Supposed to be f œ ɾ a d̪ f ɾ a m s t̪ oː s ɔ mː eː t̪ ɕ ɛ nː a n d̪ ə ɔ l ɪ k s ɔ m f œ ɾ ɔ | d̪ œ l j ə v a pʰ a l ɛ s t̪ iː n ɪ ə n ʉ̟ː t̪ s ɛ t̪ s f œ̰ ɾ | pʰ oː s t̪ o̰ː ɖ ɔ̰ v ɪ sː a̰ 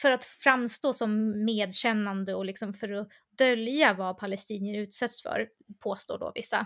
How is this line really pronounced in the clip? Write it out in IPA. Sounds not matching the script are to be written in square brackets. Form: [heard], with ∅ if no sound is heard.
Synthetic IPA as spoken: f œ ɾ a [t̪] f ɾ a m s t̪ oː s ɔ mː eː [d̪] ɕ ɛ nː a n d̪ ə ɔ l ɪ k s ɔ m f œ ɾ ɔ | d̪ œ l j [a] v a pʰ a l ɛ s t̪ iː n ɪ ə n ʉ̟ː t̪ s ɛ t̪ s f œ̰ ɾ | pʰ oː s t̪ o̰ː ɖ ɔ̰ v ɪ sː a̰